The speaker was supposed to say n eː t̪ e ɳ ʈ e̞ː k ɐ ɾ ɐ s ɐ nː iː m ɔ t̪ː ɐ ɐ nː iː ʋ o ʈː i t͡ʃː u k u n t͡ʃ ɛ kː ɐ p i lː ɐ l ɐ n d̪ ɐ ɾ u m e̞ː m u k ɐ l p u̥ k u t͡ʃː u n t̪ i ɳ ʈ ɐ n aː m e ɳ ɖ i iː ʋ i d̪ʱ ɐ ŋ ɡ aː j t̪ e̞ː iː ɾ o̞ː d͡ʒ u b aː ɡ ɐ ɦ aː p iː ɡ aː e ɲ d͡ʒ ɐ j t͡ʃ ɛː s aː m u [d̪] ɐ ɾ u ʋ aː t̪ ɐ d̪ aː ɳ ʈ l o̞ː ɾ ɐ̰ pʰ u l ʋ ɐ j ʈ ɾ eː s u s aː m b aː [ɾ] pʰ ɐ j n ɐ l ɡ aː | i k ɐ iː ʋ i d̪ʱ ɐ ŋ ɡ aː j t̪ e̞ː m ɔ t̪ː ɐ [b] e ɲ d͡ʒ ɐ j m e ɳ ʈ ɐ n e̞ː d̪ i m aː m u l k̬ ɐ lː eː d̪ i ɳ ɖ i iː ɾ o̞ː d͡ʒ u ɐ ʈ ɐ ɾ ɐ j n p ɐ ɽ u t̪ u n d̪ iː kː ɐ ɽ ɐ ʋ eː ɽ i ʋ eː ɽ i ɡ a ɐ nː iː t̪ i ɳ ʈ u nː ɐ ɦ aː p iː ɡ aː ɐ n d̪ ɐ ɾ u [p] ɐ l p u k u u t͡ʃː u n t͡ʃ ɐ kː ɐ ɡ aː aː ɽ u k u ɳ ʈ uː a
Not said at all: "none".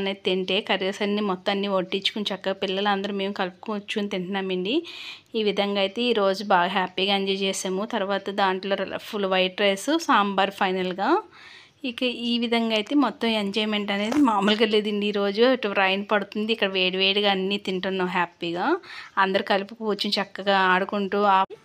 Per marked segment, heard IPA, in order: t̪, ɾ, m, k

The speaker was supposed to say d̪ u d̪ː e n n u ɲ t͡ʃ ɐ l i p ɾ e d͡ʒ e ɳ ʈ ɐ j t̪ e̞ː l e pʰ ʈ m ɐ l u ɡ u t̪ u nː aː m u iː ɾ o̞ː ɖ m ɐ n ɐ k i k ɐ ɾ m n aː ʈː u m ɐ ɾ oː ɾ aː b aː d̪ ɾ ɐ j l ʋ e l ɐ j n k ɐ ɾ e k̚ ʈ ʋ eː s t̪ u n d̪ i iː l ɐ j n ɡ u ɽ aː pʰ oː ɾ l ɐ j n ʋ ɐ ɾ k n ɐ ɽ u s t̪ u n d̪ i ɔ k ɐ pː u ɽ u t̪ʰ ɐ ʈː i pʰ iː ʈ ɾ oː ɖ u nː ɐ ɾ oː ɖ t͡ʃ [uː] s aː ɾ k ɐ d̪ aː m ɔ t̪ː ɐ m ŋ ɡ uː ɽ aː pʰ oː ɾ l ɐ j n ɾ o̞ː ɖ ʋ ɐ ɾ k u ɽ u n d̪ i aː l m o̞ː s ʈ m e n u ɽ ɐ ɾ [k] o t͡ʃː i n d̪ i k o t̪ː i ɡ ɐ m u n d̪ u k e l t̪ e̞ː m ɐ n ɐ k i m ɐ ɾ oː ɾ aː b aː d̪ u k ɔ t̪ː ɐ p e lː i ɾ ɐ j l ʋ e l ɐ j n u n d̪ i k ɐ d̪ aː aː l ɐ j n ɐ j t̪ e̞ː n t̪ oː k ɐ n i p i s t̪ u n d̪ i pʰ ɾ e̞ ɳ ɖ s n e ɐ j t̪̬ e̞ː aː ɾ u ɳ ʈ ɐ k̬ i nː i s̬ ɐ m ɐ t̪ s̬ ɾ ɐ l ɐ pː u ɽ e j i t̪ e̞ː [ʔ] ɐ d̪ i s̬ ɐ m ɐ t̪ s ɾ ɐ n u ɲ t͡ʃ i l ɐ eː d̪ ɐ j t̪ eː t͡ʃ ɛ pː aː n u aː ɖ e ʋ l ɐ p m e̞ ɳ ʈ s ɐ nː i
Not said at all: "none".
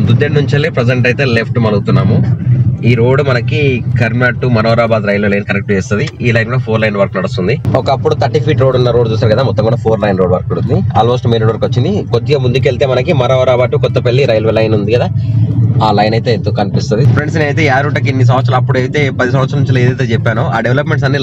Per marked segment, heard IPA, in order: uː, k, p

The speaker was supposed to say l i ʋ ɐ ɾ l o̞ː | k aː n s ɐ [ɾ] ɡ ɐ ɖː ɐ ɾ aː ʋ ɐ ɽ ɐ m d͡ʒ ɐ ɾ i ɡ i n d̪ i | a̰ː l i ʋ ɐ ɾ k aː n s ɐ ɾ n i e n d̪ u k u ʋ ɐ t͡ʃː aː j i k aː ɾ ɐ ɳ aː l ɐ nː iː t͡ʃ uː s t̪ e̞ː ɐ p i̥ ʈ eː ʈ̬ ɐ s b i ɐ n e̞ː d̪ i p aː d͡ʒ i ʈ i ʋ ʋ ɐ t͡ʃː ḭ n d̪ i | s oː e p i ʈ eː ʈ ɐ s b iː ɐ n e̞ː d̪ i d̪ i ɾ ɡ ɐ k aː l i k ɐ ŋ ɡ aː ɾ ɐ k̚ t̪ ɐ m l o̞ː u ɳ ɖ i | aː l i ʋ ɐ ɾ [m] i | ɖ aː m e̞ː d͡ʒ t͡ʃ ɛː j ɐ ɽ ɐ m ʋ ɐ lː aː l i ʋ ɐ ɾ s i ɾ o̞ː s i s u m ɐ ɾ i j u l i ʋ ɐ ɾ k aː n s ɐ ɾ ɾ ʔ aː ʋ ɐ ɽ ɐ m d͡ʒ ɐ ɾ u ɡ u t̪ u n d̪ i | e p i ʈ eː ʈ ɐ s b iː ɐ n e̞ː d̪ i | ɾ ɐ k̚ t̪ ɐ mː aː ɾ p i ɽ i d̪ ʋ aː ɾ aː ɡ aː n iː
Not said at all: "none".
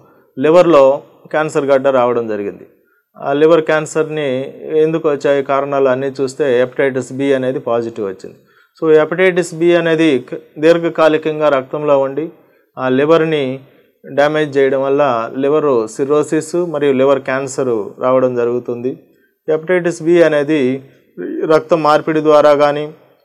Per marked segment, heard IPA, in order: ɾ, n

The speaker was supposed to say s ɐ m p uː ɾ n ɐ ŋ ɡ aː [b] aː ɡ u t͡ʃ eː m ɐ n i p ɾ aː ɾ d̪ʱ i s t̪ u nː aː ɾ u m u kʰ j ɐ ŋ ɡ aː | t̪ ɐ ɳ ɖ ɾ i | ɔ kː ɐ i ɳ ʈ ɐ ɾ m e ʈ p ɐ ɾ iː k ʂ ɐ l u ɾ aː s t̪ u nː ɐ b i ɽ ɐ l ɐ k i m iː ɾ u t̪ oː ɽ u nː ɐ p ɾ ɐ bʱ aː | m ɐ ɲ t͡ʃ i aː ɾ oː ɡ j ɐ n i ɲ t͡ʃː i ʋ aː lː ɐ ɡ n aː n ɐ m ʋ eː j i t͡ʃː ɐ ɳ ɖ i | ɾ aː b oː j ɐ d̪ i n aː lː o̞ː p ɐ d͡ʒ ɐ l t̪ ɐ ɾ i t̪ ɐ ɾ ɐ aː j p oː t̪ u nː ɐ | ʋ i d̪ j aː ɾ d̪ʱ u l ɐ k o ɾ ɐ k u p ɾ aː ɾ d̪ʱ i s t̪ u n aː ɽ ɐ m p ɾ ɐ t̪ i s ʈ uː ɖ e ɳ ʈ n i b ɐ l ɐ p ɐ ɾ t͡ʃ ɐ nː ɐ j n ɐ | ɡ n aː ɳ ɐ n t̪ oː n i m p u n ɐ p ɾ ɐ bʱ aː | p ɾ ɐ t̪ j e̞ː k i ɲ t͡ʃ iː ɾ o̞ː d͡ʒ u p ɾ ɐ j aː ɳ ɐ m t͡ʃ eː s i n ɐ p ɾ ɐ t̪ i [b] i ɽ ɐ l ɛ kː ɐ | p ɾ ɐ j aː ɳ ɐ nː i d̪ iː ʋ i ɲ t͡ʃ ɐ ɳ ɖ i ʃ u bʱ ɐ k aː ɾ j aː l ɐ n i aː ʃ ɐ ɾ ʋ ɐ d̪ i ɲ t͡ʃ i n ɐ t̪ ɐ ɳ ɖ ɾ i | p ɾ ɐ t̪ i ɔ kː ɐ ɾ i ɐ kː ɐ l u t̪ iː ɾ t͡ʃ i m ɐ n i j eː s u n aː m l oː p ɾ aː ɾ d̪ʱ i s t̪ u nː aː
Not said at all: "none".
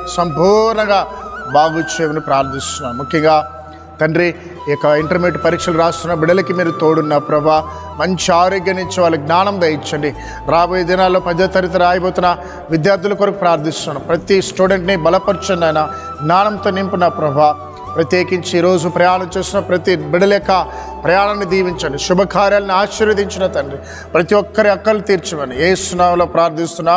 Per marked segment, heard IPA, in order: b, b

